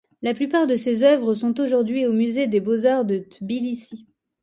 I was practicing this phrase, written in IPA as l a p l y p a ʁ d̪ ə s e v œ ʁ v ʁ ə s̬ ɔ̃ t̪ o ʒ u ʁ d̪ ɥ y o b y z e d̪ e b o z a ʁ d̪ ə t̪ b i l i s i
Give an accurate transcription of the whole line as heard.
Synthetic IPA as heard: l a p l y p a ʁ d̪ ə s e z œ v ʁ ə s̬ ɔ̃ t̪ o ʒ u ʁ d̪ ɥ i o m y z e d̪ e b o z a ʁ d̪ ə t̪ b i l i s i